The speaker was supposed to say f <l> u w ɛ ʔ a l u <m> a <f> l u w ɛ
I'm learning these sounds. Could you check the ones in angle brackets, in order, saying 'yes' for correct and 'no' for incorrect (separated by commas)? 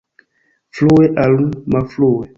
yes, yes, yes